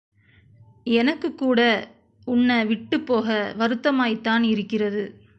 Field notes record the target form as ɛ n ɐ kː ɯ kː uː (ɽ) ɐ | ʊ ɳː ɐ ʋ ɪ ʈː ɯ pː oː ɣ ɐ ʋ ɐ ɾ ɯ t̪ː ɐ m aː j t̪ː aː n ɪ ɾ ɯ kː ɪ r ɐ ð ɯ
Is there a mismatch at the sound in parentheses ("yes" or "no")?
no